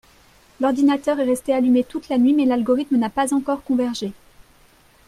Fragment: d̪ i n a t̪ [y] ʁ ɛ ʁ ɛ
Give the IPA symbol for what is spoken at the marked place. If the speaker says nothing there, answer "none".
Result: œ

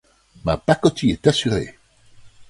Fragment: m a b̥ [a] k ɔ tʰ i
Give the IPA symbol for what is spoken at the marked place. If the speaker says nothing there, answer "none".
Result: a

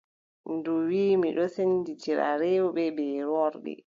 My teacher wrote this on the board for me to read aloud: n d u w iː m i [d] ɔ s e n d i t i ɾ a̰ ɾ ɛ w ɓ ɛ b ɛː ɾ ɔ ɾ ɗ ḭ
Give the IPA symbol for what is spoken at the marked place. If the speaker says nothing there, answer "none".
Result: ɗ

